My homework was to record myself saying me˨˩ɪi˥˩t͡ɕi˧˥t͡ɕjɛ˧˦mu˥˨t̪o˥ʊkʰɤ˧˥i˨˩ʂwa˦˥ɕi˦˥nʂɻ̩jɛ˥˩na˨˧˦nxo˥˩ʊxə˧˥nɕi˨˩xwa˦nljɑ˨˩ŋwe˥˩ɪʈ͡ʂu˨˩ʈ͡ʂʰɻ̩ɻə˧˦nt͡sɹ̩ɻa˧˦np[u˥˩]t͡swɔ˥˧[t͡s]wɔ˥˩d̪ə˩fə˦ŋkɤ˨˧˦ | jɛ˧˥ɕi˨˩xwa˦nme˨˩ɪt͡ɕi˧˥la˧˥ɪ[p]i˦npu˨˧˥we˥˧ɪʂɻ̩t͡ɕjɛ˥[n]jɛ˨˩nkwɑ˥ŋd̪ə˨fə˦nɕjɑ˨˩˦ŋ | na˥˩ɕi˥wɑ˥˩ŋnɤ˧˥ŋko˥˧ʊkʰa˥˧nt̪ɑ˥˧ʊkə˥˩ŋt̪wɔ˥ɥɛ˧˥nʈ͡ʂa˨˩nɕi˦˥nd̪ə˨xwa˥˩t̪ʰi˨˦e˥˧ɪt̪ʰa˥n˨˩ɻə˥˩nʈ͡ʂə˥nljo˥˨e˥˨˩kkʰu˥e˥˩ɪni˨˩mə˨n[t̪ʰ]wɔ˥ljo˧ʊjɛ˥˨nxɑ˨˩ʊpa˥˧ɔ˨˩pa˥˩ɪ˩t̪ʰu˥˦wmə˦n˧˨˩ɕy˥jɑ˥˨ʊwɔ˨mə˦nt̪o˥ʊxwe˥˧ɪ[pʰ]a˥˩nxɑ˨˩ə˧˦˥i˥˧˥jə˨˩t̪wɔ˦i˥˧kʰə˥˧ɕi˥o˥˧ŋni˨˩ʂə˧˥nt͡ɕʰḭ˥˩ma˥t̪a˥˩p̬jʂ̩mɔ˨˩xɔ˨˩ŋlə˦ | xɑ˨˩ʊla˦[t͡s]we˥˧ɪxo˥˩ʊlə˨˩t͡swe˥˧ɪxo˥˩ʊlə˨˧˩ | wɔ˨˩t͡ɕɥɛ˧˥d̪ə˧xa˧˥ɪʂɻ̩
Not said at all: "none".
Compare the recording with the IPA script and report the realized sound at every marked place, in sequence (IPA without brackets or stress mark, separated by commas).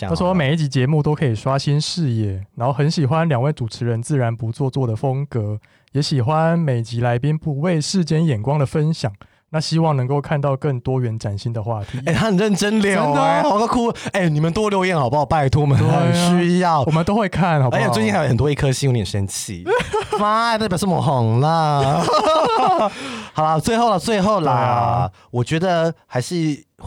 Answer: u˧˦, t͡s, p, n, t̪, kʰ, t͡s